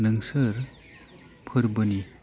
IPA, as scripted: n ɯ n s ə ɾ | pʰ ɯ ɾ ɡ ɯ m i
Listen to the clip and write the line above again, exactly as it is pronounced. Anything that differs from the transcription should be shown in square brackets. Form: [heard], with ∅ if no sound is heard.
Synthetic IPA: n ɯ [ŋ] s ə ɾ | pʰ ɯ ɾ [b] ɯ [n] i